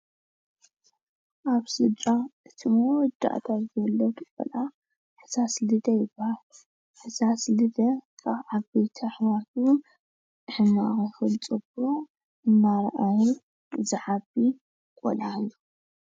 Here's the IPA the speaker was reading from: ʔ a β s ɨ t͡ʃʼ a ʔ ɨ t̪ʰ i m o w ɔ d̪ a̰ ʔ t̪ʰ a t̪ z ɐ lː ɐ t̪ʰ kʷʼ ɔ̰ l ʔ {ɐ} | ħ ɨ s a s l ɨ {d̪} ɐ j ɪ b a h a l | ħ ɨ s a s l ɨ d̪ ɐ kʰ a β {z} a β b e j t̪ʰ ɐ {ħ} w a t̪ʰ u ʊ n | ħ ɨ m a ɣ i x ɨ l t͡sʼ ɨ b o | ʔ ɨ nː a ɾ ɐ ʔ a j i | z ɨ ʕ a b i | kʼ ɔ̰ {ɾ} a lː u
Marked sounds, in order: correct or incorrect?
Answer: incorrect, correct, incorrect, correct, incorrect

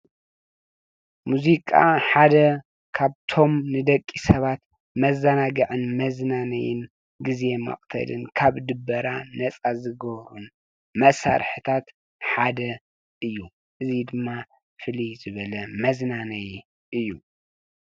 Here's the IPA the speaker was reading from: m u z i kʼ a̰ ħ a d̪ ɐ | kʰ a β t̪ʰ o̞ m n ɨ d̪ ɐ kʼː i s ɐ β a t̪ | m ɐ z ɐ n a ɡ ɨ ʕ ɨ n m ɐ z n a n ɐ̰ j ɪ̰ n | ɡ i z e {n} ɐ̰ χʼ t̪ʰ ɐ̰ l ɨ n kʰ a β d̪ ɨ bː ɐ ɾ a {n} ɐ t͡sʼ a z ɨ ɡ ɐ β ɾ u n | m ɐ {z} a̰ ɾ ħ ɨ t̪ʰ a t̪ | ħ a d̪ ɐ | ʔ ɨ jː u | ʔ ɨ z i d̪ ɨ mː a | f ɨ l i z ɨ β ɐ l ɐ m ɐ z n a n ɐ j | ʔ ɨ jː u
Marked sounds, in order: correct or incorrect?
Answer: incorrect, correct, incorrect

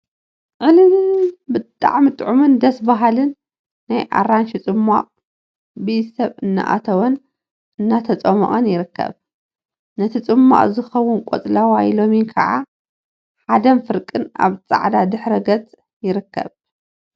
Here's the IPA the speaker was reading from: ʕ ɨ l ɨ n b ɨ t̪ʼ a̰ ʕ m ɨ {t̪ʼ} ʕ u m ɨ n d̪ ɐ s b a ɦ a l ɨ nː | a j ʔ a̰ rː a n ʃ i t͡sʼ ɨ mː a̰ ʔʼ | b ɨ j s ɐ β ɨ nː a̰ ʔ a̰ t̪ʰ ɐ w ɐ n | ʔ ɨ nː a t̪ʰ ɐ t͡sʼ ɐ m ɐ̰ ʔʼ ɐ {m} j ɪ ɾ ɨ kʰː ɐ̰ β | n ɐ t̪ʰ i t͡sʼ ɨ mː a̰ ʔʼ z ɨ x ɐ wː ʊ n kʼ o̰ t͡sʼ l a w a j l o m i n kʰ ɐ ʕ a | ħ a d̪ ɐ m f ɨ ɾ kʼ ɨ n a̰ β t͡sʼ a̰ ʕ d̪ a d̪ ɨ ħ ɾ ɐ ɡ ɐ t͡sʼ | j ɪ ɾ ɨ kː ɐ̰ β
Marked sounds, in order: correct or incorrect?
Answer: correct, incorrect

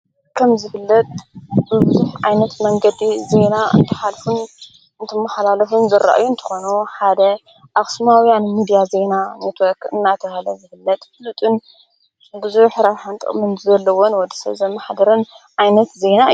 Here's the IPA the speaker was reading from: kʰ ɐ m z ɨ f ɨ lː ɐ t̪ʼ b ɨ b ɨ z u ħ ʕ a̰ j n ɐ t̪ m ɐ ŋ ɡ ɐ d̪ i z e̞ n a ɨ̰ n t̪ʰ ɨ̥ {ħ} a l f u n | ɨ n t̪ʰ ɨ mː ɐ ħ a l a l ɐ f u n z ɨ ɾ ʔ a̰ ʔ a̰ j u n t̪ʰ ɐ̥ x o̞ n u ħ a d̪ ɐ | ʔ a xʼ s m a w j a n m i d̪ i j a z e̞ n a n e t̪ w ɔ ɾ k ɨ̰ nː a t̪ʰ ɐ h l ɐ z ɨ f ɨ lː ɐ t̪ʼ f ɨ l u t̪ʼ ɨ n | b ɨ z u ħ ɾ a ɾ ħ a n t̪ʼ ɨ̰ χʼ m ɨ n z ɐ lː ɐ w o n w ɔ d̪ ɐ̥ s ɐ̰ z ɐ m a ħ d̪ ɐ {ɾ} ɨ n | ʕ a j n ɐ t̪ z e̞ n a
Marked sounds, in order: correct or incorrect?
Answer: correct, correct

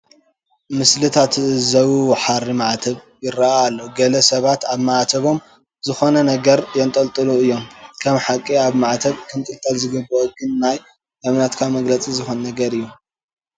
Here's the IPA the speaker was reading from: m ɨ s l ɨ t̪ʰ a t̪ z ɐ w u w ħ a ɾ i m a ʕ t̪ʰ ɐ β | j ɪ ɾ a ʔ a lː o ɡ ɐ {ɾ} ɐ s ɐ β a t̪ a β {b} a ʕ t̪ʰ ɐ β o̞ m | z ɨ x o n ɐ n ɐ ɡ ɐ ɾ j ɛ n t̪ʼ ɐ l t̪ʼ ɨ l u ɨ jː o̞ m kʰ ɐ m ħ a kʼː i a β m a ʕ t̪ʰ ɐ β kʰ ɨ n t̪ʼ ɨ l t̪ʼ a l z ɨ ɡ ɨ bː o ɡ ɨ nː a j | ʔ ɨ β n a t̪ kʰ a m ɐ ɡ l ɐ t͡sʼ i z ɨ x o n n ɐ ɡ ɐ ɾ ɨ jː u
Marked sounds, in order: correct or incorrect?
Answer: incorrect, incorrect

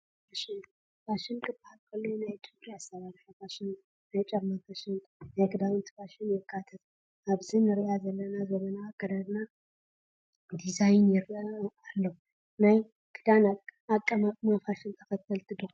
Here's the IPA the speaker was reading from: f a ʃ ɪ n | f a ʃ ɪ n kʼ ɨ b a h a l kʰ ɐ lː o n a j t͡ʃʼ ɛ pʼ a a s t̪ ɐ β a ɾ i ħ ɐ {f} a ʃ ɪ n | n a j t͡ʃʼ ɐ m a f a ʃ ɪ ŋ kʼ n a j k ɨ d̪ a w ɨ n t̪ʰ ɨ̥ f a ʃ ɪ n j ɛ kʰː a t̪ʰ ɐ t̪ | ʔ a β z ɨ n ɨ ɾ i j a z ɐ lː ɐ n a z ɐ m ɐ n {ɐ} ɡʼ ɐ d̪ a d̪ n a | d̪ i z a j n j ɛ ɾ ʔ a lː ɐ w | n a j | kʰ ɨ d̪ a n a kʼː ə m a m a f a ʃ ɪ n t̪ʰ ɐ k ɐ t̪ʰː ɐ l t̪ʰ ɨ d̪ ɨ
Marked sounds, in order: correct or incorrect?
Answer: correct, incorrect

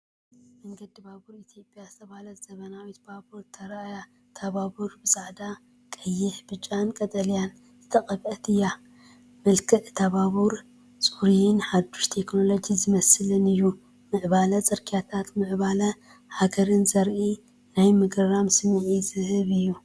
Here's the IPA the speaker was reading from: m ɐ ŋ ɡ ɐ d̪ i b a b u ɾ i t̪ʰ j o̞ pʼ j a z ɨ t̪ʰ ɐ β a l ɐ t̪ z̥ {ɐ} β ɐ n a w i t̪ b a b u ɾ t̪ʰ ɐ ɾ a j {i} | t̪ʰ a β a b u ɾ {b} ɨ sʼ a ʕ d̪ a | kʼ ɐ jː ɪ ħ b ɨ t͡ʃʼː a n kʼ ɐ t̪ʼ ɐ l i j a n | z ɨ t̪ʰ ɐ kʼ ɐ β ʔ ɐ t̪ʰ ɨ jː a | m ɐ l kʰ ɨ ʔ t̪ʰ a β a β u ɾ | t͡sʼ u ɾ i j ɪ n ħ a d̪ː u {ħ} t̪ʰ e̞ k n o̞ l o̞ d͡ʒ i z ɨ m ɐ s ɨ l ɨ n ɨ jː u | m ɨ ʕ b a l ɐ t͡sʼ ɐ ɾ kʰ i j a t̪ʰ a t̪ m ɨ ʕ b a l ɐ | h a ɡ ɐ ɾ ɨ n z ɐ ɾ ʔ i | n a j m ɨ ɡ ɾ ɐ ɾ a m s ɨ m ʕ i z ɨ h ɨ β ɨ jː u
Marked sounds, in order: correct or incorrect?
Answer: correct, incorrect, correct, incorrect

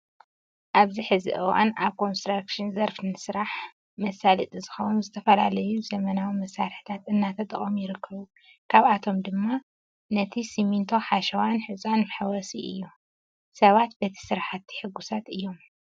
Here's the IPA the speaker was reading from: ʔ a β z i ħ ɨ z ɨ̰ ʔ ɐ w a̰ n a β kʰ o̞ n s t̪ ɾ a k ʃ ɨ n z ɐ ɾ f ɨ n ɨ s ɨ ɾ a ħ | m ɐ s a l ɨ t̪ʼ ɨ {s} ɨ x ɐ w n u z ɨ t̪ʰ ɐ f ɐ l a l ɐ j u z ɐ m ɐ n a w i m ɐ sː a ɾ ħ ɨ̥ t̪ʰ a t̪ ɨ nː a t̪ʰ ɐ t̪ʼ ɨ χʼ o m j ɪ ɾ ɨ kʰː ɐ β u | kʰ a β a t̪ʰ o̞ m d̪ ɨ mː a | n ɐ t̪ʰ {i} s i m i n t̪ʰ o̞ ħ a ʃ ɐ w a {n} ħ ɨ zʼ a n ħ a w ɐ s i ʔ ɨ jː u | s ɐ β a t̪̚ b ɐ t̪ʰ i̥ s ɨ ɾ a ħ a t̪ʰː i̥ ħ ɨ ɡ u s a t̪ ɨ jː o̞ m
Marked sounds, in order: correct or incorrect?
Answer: incorrect, correct, correct

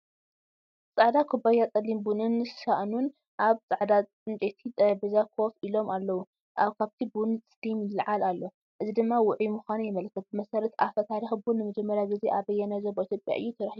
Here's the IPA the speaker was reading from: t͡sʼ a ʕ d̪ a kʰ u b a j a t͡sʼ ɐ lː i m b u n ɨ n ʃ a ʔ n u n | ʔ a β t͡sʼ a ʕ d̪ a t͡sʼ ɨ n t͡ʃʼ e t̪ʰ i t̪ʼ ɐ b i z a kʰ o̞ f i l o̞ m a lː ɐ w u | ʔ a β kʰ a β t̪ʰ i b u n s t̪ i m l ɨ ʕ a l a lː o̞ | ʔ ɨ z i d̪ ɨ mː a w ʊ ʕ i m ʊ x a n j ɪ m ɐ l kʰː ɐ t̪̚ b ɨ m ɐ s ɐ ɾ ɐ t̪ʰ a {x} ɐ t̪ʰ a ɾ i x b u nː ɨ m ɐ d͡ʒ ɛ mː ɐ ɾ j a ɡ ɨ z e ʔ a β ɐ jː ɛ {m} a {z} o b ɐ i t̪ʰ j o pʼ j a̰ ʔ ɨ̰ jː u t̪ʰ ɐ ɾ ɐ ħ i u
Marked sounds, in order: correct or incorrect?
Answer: incorrect, incorrect, correct

